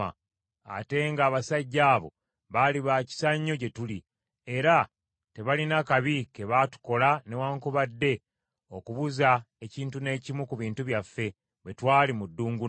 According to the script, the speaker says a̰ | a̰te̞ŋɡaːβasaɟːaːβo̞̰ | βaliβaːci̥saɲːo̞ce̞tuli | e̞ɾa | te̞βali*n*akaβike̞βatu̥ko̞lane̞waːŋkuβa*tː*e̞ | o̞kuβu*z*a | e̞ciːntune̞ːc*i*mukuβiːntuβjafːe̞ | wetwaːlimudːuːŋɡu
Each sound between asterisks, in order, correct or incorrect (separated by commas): correct, incorrect, correct, correct